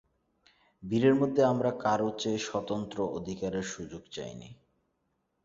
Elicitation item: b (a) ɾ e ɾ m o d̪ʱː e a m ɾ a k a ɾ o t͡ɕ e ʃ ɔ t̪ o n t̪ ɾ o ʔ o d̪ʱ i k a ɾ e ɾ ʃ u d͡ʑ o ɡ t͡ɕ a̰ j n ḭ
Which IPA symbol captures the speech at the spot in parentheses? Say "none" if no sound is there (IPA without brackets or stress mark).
i